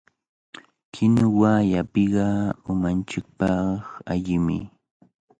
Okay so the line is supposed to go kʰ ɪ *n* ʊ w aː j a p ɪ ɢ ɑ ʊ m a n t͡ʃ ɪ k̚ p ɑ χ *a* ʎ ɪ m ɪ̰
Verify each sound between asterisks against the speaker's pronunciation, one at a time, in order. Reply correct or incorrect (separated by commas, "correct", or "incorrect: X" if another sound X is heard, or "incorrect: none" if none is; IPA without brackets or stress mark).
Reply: correct, correct